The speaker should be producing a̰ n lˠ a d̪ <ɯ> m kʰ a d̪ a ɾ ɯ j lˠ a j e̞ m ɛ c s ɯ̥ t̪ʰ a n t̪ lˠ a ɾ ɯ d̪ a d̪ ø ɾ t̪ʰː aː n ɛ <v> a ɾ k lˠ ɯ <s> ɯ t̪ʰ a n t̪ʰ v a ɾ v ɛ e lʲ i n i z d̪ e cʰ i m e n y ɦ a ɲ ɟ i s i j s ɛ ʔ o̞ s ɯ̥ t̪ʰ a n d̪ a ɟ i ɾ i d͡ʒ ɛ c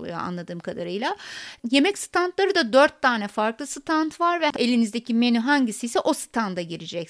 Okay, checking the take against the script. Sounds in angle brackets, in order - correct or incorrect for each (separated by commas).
incorrect, incorrect, correct